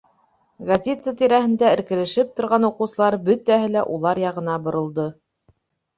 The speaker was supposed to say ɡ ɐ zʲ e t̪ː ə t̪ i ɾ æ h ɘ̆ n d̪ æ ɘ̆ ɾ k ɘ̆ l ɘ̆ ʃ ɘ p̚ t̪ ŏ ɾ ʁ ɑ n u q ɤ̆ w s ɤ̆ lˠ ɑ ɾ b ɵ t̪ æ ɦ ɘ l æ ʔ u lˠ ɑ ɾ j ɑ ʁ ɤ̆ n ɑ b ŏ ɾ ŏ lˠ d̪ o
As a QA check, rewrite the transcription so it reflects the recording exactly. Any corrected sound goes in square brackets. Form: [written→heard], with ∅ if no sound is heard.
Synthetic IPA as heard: ɡ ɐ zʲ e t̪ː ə t̪ i ɾ æ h ɘ̆ n d̪ æ ɘ̆ ɾ k ɘ̆ l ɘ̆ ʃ ɘ p̚ t̪ ŏ ɾ ʁ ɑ n u q ɤ̆ w s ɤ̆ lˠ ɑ ɾ b ɵ t̪ æ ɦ ɘ l æ ʔ u lˠ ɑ ɾ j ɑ ʁ ɤ̆ n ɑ b ŏ ɾ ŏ lˠ d̪ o